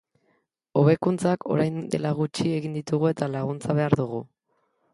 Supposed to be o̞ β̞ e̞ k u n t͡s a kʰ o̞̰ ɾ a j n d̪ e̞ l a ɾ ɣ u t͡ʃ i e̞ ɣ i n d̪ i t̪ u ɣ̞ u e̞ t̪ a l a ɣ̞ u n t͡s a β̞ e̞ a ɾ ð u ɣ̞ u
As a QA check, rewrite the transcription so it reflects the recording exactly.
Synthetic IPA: o̞ β̞ e̞ k u n t͡s a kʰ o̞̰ ɾ a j n d̪ e̞ l a ɣ u t͡ʃ i e̞ ɣ i n d̪ i t̪ u ɣ̞ u e̞ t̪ a l a ɣ̞ u n t͡s a β̞ e̞ a ɾ ð u ɣ̞ u